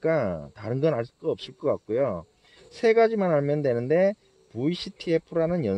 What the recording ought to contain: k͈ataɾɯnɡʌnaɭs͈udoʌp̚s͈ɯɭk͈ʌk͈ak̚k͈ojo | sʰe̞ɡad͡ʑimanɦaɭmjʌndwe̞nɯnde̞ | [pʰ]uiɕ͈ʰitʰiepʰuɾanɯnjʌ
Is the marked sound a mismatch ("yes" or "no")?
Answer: yes